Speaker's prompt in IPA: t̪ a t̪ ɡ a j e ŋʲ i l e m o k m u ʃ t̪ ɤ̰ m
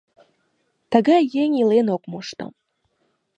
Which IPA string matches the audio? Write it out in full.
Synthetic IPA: t̪ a ɡ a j e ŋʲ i l e n o k m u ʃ t̪ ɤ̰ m

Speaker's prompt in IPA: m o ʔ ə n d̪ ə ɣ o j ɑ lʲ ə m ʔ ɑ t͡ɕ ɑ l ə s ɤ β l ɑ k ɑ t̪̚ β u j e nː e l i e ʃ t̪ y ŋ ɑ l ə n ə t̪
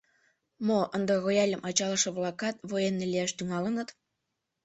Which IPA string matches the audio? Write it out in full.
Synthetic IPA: m o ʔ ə n d̪ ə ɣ o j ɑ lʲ ə m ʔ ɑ t͡ɕ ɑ l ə ʃ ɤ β l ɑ k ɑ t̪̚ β o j e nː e l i æ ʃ t̪ y ŋ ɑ l ə n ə t̪

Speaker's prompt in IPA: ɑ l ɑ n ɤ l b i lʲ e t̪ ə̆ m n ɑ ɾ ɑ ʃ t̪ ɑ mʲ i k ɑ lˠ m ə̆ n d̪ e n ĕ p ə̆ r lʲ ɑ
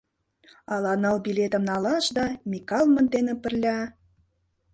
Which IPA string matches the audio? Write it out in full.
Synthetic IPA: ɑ l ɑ n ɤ l b i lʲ e t̪ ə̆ m n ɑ l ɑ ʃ d̪ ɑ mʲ i k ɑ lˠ m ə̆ n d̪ e n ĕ p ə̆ r lʲ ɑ

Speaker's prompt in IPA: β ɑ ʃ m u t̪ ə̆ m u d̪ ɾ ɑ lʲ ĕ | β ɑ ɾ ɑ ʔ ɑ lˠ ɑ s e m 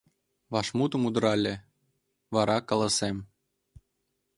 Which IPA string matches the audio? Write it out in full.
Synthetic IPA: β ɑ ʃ m u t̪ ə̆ m u d̪ ɾ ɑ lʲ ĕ | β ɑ ɾ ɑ k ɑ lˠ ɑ s e m

